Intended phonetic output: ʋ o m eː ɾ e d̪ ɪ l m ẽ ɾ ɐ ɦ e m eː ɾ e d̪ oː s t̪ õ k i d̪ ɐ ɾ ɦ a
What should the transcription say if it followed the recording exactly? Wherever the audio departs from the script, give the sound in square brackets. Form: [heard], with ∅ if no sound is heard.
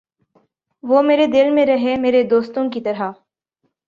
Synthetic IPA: ʋ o m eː ɾ e d̪ ɪ l m ẽ ɾ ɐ ɦ e m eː ɾ e d̪ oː s t̪ õ k i [t̪] ɐ ɾ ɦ a

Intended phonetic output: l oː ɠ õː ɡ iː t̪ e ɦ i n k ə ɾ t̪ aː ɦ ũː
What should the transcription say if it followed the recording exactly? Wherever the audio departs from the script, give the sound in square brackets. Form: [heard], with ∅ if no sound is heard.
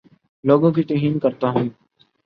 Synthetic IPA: l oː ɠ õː [k] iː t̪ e ɦ [iː] n k ə ɾ t̪ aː ɦ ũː

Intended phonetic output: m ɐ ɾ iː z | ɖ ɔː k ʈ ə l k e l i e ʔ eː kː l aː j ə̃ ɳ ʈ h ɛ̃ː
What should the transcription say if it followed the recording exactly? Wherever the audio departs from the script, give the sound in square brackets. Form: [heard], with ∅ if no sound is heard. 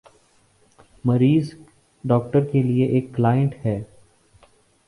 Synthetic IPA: m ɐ ɾ iː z | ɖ ɔː k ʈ ə [ɾ] k e l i e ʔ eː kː l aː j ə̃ ɳ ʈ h [ɛː]

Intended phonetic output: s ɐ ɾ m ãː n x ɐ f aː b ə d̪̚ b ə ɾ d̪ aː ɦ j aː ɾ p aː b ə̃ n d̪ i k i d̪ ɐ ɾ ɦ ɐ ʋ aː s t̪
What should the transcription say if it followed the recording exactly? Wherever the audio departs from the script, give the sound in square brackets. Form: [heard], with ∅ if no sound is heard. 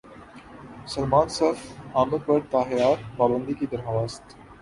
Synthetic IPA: s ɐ [l] m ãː n [s] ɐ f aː [m] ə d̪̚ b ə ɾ [t̪] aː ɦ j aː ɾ p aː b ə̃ n d̪ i k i d̪ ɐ ɾ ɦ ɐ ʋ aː s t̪

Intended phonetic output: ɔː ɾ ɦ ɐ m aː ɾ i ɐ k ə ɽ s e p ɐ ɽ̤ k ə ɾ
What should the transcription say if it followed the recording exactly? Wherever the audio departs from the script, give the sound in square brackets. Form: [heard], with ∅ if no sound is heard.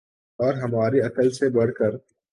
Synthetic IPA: ɔː ɾ ɦ ɐ m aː ɾ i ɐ k ə [l] s e [b] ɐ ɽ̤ k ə ɾ

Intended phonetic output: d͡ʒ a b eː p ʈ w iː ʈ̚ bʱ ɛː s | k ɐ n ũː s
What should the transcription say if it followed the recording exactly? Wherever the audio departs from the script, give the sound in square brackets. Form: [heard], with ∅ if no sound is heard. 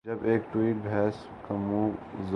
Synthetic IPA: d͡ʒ [ɐ] b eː [k] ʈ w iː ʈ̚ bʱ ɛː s | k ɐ [m] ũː [z]

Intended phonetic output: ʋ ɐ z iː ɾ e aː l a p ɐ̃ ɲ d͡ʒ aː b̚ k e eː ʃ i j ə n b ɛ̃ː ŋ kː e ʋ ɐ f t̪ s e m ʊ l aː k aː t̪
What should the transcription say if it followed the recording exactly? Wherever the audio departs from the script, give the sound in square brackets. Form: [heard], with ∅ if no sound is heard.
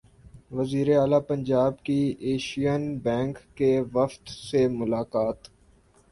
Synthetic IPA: ʋ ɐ z iː ɾ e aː l a p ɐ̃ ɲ d͡ʒ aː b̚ k [i] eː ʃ i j ə n b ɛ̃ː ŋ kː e ʋ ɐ f t̪ s e m ʊ l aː k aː t̪

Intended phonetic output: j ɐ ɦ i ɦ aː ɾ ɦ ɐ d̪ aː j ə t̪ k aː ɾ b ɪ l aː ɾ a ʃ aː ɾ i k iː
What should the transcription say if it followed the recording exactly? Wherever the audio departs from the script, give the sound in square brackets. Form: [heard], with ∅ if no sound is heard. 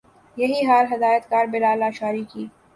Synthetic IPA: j ɐ ɦ i ɦ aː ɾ ɦ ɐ d̪ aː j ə t̪ k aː ɾ b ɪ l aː [l] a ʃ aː ɾ i k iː

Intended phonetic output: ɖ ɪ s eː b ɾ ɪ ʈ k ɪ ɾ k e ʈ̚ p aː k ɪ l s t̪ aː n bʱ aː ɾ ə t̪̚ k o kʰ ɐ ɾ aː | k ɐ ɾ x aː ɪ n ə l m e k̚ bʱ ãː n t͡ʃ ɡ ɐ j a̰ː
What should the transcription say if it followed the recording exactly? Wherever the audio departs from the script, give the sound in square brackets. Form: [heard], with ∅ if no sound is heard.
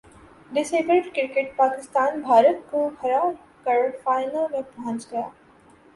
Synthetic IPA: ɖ ɪ s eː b ɾ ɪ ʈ k ɪ ɾ k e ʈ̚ p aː k ɪ [∅] s t̪ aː n bʱ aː ɾ ə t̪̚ k o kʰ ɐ ɾ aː | k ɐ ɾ [f] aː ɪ n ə l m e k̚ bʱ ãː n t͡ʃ ɡ ɐ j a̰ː

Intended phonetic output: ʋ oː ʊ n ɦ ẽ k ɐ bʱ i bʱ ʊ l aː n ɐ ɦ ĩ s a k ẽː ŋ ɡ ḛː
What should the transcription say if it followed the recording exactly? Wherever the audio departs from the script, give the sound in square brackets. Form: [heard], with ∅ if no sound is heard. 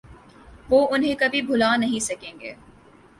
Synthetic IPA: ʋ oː ʊ n ɦ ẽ k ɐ bʱ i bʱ ʊ l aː n ɐ ɦ ĩ s [ɐ] k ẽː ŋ ɡ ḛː

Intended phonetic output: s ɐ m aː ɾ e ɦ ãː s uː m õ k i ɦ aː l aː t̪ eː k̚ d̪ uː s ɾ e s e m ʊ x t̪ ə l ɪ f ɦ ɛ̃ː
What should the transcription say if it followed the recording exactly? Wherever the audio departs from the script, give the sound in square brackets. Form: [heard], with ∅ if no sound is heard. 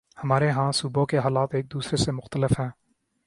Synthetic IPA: [h] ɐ m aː ɾ e ɦ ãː s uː [b] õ k [e] ɦ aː l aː t̪ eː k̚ d̪ uː s ɾ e s e m ʊ x t̪ ə l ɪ f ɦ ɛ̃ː

